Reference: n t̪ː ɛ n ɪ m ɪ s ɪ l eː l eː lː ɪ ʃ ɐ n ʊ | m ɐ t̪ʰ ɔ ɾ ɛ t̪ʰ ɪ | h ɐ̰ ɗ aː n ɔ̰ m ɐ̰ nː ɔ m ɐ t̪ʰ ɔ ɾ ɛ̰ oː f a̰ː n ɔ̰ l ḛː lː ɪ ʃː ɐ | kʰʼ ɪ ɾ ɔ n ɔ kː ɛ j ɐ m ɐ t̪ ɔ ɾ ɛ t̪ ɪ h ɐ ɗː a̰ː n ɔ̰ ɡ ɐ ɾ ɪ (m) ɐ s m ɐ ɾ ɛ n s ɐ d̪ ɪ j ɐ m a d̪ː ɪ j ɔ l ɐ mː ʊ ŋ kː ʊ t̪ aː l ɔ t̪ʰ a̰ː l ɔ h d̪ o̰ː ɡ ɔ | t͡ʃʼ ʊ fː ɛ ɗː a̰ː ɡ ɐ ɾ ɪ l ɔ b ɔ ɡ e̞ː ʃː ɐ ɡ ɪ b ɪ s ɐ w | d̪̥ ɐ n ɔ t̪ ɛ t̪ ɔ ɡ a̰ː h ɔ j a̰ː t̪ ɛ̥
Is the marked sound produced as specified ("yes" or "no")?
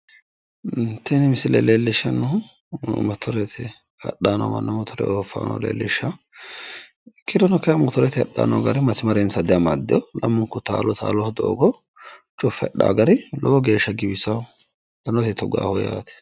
yes